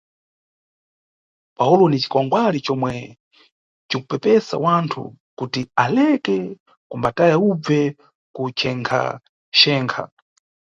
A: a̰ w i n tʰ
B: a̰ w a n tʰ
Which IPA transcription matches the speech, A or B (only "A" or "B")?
B